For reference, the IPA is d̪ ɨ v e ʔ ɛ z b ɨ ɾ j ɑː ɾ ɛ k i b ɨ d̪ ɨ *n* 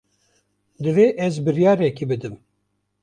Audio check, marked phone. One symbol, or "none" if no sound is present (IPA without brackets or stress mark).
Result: m